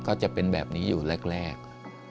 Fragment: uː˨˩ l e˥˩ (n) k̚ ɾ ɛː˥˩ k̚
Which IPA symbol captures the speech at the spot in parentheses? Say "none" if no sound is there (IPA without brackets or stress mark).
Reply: none